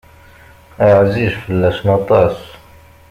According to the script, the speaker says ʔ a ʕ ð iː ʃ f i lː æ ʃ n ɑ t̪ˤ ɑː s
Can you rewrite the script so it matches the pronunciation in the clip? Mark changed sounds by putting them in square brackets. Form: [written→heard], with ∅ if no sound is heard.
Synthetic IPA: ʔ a ʕ [ð→z] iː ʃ f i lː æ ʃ n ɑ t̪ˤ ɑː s